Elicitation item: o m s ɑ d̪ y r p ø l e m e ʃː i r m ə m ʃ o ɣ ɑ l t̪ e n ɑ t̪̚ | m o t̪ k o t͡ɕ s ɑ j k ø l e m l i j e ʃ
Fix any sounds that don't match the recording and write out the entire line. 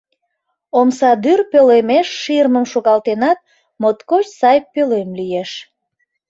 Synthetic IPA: o m s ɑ d̪ y r p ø l e m e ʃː i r m ə m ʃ o ɣ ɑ l t̪ e n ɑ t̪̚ | m o t̪ k o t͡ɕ s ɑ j p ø l e m l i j e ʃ